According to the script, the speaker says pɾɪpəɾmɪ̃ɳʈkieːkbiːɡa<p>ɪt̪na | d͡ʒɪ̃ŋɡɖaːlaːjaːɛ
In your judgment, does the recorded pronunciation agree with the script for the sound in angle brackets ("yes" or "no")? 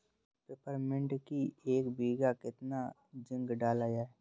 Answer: no